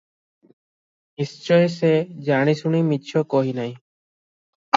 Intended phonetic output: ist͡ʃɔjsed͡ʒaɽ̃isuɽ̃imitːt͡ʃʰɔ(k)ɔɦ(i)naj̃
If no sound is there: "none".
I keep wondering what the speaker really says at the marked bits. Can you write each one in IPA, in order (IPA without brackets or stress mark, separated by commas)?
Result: k, i